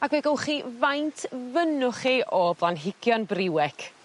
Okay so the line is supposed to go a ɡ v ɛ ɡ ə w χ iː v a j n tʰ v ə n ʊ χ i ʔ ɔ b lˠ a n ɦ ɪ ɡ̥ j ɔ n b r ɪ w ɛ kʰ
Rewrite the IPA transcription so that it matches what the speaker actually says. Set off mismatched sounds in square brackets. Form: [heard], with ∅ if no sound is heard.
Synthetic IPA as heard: a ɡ v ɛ ɡ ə w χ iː v a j n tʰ v ə n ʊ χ i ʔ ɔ b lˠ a n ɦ ɪ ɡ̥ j ɔ n b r ɪ w ɛ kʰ